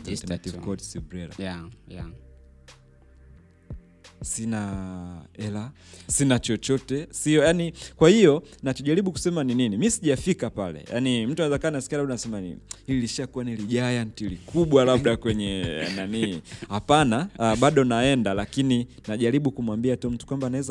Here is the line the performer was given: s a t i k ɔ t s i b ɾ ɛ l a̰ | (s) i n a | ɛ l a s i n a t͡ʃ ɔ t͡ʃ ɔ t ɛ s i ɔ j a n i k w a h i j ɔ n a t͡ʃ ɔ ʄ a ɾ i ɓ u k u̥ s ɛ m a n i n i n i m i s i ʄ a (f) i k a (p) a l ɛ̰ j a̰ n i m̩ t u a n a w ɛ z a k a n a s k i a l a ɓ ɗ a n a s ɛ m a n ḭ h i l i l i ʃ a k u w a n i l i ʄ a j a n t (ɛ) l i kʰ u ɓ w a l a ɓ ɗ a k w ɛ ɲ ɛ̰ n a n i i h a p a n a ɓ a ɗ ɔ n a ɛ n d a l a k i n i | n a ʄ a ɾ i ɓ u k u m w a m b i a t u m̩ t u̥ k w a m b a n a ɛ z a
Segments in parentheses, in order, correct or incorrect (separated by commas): correct, correct, correct, incorrect